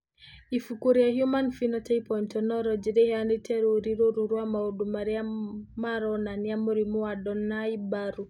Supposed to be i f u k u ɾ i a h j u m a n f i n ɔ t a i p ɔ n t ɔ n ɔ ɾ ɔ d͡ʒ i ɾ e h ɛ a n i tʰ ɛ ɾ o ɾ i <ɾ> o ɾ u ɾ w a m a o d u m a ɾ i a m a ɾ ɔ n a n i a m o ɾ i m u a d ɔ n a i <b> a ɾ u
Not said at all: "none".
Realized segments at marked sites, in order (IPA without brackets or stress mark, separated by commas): ɾ, b